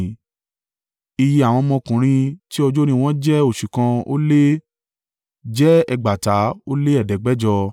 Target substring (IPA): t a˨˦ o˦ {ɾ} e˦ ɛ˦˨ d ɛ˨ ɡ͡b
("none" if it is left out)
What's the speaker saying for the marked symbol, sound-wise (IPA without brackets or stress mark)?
l